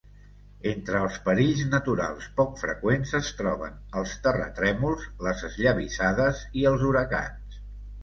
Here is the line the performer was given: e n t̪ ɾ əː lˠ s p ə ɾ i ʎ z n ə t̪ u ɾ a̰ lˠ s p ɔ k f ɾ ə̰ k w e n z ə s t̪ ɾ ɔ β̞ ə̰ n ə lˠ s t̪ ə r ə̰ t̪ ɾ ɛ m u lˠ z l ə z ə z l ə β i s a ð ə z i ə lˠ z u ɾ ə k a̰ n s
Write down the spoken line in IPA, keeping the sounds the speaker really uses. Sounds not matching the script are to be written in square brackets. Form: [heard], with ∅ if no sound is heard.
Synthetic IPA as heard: e n t̪ ɾ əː lˠ s p ə ɾ i ʎ z n ə t̪ u ɾ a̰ lˠ s p ɔ k f ɾ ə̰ k w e n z ə s t̪ ɾ ɔ β̞ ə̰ n ə lˠ s t̪ ə r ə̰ t̪ ɾ ɛ m u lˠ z l ə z ə z [ʎ] ə β i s a ð ə z i ə lˠ z u ɾ ə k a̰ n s